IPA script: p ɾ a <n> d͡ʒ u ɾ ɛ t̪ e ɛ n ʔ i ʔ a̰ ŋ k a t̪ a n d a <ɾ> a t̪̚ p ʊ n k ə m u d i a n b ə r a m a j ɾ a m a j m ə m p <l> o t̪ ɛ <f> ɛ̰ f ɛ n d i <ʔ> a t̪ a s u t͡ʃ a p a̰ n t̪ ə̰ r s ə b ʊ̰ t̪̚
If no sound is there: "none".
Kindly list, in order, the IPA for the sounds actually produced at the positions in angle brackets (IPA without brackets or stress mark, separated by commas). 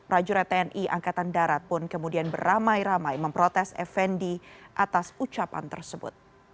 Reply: none, ɾ, ɾ, s, ʔ